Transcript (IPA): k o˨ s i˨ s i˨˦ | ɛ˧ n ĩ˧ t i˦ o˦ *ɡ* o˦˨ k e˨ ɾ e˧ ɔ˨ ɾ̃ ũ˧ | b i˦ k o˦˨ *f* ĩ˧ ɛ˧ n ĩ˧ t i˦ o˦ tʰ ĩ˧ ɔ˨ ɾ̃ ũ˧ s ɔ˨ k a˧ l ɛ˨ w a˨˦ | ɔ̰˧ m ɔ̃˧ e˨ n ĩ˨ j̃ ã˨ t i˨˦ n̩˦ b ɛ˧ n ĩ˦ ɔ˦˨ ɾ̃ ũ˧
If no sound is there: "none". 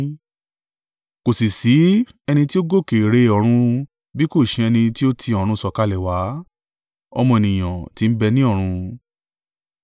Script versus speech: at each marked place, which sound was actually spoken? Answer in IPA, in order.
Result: ɡ, ʃ

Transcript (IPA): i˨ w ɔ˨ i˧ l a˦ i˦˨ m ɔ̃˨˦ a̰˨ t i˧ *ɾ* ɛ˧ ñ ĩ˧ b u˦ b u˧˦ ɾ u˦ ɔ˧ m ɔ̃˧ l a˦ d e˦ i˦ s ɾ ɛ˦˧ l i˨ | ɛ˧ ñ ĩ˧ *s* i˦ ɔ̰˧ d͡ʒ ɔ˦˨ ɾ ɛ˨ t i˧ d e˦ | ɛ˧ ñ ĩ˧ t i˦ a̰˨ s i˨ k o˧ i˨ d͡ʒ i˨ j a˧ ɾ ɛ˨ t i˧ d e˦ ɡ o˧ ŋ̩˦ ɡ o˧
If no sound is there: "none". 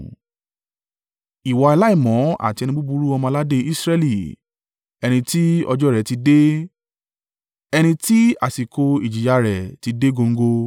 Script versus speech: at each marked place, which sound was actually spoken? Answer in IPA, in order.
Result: none, t

